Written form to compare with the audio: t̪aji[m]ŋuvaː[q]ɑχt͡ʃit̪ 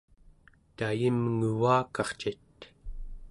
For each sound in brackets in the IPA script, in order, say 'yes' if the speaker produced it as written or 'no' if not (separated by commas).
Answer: yes, no